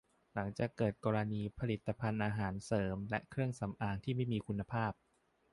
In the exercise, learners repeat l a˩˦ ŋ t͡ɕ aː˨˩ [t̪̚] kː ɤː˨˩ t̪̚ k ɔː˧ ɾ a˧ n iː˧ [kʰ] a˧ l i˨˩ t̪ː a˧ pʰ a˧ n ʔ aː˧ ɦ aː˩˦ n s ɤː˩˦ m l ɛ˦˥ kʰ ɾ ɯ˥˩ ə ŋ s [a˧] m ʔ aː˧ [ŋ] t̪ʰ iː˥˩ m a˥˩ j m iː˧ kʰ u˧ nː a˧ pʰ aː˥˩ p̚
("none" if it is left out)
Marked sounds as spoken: none, pʰ, a˩˦, ŋ

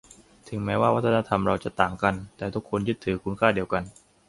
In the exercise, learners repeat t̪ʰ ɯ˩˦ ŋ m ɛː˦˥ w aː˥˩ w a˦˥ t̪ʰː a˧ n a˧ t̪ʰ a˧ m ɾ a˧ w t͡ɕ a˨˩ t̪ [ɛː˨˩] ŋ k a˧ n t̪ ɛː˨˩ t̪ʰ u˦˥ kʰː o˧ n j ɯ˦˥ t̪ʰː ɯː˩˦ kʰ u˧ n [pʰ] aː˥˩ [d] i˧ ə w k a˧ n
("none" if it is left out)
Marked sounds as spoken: aː˨˩, kʰ, d

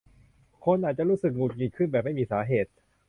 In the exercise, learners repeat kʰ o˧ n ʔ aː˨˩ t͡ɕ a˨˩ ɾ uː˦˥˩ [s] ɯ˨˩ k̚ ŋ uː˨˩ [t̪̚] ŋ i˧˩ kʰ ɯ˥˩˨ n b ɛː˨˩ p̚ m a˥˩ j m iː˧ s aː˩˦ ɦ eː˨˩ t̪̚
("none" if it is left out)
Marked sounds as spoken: s, t̪̚

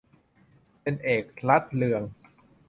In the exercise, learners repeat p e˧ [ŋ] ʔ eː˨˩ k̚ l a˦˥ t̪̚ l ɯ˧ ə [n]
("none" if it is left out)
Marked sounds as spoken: n, ŋ

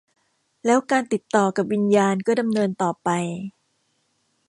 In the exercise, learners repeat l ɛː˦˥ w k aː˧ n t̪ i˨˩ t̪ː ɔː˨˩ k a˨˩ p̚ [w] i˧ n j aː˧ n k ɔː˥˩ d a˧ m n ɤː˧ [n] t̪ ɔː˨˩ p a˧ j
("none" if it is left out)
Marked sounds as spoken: w, n

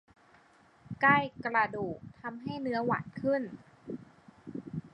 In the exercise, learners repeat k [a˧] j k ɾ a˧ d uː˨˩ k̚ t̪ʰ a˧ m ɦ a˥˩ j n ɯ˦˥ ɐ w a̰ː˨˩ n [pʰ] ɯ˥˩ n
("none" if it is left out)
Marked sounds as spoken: a˥˩, kʰ

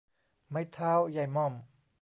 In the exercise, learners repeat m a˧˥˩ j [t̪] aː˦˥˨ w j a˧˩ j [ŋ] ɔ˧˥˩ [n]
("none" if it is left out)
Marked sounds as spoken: t̪ʰ, m, m

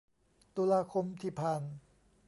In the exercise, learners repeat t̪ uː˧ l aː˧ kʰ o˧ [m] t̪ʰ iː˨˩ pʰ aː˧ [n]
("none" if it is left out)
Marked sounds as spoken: m, n

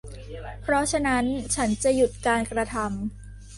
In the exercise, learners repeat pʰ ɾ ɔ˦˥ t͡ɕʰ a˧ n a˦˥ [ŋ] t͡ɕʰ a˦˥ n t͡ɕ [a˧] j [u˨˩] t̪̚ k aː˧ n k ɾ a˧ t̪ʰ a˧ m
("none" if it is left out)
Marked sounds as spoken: n, a˨˩, u˨˩

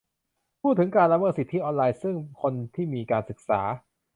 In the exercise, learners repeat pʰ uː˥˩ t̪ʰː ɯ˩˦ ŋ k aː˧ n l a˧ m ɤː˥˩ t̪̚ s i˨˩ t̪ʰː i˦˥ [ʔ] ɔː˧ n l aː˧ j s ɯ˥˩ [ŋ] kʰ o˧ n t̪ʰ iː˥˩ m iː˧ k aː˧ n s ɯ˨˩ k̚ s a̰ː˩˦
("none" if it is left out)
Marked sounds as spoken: ʔ, ŋ

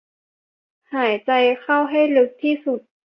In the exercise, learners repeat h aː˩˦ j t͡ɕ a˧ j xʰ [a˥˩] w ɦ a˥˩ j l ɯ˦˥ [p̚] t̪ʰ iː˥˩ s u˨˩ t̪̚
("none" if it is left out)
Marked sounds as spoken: a˥˩, k̚

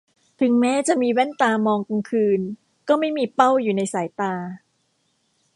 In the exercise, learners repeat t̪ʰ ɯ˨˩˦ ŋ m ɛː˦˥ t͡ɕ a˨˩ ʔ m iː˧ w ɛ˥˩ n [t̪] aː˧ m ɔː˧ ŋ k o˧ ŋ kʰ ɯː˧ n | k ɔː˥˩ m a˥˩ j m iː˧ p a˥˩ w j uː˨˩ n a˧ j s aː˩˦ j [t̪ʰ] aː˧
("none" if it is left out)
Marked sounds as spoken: t̪, t̪

